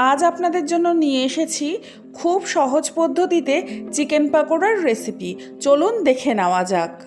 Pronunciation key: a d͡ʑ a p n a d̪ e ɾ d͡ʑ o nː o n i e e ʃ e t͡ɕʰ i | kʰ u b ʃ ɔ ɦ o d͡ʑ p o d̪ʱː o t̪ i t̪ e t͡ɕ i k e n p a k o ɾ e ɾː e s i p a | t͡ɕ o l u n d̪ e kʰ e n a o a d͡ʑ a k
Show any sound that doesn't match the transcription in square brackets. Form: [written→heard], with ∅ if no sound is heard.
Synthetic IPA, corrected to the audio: a d͡ʑ a p n a d̪ e ɾ d͡ʑ o nː o n i e e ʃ e t͡ɕʰ i | kʰ u b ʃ ɔ ɦ o d͡ʑ p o d̪ʱː o t̪ i t̪ e t͡ɕ i k e n p a k o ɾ [e→a] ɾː e s i p [a→i] | t͡ɕ o l u n d̪ e kʰ e n a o a d͡ʑ a k